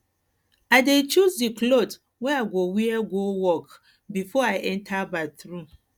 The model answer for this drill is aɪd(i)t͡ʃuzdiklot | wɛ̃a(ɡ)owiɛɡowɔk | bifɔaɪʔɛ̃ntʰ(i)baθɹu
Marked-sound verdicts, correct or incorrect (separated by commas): incorrect, correct, incorrect